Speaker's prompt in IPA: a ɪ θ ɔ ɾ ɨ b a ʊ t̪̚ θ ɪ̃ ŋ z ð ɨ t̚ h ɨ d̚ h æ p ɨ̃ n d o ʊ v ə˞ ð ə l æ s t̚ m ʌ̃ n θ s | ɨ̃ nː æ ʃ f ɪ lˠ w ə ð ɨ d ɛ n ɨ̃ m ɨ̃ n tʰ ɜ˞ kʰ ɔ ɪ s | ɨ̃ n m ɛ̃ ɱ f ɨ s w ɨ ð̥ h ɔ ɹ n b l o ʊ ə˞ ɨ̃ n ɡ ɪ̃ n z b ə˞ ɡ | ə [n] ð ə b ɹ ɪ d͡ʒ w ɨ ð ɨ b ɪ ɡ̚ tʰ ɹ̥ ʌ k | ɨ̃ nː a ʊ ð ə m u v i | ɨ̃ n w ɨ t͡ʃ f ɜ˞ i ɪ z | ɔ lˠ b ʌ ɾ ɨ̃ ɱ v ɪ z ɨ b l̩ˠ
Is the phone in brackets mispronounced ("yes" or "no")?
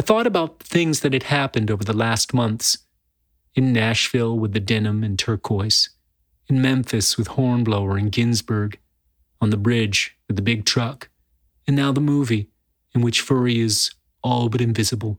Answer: no